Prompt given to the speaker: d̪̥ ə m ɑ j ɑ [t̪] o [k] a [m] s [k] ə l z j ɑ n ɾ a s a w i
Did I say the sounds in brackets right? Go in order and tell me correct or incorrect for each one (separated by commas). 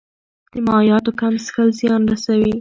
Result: correct, correct, correct, incorrect